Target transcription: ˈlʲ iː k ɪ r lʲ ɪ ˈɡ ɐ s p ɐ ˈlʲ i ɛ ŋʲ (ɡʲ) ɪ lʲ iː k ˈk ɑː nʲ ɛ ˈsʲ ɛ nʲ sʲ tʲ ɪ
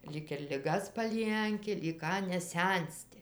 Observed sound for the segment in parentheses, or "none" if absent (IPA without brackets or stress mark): kʲ